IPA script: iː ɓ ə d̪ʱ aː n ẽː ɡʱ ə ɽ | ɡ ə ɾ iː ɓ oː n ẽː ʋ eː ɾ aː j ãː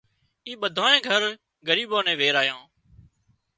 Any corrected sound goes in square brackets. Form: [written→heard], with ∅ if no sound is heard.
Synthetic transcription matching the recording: iː ɓ ə d̪ʱ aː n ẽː ɡʱ ə [ɽ→ɾ] | ɡ ə ɾ iː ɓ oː n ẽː ʋ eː ɾ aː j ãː